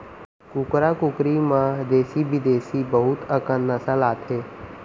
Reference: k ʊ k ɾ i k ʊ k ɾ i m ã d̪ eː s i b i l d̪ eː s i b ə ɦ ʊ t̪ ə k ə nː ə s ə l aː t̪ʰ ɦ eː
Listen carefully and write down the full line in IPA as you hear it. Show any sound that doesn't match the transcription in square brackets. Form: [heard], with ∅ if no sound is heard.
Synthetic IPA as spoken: k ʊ k ɾ [a] k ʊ k ɾ i m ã d̪ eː s i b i [∅] d̪ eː s i b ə ɦ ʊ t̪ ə k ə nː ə s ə l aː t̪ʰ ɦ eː